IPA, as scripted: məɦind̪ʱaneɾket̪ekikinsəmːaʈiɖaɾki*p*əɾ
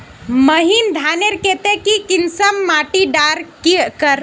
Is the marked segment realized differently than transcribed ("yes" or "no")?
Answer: yes